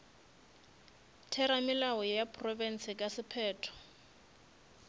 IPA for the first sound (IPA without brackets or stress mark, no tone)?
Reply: tʰ